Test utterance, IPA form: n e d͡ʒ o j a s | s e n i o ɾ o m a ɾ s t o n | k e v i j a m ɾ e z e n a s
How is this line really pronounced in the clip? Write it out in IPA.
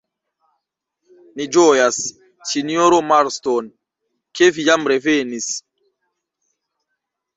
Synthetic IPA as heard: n i d͡ʒ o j a s | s i n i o ɾ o m a ɾ s t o n | k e v i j a m ɾ e v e n i s

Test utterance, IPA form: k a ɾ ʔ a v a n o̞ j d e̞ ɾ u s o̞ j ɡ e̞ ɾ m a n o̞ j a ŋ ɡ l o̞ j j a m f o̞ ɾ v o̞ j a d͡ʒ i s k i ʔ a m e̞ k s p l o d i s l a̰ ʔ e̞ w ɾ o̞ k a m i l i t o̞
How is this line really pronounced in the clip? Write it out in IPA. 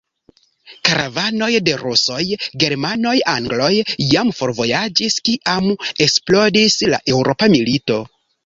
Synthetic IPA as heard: k a ɾ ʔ a v a n o̞ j d e̞ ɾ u s o̞ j ɡ e̞ ɾ m a n o̞ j a ŋ ɡ l o̞ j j a m f o̞ ɾ v o̞ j a d͡ʒ i s k i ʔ a m e̞ k s p l o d i s l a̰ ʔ e̞ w ɾ o̞ p a m i l i t o̞

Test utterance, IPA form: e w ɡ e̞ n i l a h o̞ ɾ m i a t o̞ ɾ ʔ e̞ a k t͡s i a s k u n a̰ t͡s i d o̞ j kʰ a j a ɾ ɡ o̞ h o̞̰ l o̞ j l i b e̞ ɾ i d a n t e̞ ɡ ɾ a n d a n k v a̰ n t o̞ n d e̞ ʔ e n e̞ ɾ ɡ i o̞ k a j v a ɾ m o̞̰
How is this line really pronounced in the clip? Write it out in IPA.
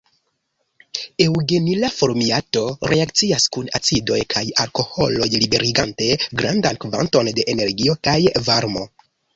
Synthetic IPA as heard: e w ɡ e̞ n i l a f o̞ ɾ m i a t o̞ ɾ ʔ e̞ a k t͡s i a s k u n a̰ t͡s i d o̞ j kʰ a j a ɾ k o̞ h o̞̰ l o̞ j l i b e̞ ɾ i ɡ a n t e̞ ɡ ɾ a n d a n k v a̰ n t o̞ n d e̞ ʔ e n e̞ ɾ ɡ i o̞ k a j v a ɾ m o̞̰

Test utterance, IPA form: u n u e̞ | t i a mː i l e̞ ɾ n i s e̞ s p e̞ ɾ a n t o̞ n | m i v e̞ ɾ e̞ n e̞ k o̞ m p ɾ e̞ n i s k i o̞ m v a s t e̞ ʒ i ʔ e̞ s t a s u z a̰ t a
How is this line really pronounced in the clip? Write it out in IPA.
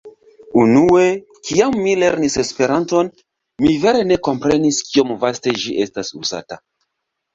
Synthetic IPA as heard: u n u e̞ | k i a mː i l e̞ ɾ n i s e̞ s p e̞ ɾ a n t o̞ n | m i v e̞ ɾ e̞ n e̞ k o̞ m p ɾ e̞ n i s k i o̞ m v a s t e̞ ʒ i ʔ e̞ s t a s u z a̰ t a

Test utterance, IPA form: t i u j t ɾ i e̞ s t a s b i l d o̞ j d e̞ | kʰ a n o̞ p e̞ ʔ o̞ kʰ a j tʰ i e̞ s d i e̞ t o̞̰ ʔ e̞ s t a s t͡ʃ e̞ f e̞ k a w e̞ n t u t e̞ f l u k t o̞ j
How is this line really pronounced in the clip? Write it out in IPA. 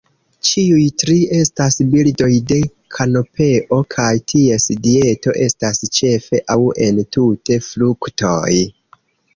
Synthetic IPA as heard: t͡ʃ i u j t ɾ i e̞ s t a s b i l d o̞ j d e̞ | kʰ a n o̞ p e̞ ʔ o̞ kʰ a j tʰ i e̞ s d i e̞ t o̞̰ ʔ e̞ s t a s t͡ʃ e̞ f e̞ ʔ a w e̞ n t u t e̞ f l u k t o̞ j

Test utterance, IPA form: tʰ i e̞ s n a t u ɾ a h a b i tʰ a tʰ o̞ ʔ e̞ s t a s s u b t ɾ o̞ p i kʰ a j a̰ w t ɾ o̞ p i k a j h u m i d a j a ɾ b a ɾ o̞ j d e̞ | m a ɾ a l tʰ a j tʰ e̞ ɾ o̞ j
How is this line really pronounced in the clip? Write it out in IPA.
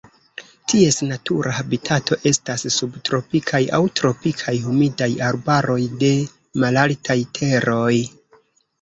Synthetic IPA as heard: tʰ i e̞ s n a t u ɾ a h a b i tʰ a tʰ o̞ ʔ e̞ s t a s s u b t ɾ o̞ p i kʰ a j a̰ w t ɾ o̞ p i kʰ a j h u m i d a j a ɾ b a ɾ o̞ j d e̞ | m a l a l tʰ a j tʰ e̞ ɾ o̞ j

